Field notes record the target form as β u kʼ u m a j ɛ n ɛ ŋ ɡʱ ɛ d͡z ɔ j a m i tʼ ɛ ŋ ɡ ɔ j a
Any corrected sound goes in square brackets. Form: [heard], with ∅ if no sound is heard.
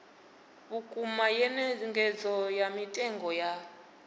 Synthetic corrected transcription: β u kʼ u m a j ɛ n ɛ ŋ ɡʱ ɛ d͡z ɔ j a m i tʼ ɛ ŋ ɡ ɔ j a